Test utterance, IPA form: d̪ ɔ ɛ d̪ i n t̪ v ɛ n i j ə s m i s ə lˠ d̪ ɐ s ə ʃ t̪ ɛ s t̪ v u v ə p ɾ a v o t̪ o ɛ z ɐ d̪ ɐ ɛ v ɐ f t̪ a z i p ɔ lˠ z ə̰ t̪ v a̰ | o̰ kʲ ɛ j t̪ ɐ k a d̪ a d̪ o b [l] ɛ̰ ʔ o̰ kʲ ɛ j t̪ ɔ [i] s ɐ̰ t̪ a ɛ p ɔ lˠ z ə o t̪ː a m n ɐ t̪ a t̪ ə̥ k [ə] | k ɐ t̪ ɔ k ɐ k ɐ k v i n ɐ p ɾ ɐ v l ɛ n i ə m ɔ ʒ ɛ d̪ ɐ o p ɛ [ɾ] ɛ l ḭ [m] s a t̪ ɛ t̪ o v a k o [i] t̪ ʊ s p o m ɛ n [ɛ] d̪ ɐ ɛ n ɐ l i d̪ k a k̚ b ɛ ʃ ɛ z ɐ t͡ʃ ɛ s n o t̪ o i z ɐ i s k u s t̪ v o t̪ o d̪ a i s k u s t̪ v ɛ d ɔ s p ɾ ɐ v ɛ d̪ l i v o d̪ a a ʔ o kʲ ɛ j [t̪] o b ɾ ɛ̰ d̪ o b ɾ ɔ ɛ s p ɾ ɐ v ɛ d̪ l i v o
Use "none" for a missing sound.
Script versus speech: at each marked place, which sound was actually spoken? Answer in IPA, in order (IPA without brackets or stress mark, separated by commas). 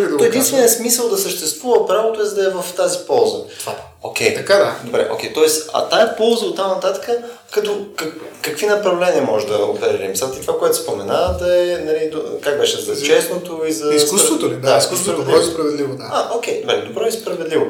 ɾ, ɛ, ə, ɾ, m, ɛ, a, d̪